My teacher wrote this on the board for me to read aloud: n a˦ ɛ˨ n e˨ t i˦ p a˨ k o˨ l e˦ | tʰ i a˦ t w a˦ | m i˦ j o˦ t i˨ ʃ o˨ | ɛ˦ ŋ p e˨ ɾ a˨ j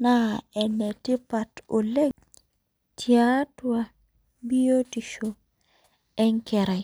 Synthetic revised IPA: n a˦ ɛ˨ n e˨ t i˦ p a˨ t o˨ l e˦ | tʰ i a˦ t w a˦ | b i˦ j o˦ t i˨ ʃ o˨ | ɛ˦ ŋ k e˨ ɾ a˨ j